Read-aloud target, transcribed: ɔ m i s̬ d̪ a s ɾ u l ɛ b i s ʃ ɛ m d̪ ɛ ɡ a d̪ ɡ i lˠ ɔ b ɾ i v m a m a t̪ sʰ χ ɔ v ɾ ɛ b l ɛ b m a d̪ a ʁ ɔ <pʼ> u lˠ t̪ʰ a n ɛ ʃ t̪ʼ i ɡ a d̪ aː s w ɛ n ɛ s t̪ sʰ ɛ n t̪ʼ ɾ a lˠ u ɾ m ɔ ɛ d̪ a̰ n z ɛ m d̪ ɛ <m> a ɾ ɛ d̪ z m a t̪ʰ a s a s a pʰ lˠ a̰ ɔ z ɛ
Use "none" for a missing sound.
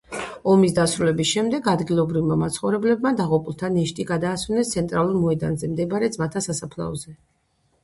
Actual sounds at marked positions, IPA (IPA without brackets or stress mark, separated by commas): pʼ, b